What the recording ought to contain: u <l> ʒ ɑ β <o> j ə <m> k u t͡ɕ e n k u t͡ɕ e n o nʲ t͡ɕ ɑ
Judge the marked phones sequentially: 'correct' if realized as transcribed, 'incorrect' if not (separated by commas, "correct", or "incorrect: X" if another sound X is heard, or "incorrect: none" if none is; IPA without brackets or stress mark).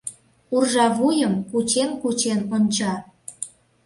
incorrect: r, incorrect: u, correct